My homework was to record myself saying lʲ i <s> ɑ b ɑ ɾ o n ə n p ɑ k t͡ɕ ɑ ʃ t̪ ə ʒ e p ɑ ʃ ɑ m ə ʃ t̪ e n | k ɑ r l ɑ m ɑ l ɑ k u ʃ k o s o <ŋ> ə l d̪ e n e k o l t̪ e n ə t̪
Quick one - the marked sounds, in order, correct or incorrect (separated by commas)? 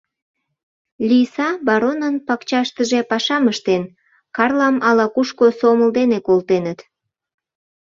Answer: correct, incorrect